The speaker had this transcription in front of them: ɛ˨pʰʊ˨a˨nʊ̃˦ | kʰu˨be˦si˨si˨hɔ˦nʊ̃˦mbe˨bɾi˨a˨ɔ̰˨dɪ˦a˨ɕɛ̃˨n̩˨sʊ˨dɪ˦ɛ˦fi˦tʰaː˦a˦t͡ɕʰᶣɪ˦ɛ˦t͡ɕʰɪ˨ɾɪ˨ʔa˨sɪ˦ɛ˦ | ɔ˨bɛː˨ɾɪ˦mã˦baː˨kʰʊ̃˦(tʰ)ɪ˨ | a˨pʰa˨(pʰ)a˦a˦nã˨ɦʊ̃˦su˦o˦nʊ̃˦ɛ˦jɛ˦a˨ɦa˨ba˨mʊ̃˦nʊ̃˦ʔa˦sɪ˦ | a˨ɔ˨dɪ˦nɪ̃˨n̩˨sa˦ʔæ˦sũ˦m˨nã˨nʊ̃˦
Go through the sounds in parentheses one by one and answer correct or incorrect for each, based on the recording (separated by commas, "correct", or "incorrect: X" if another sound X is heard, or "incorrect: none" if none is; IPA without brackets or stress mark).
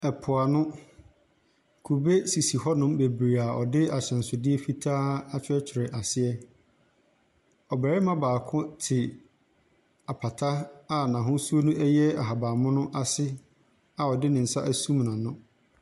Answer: correct, incorrect: tʰ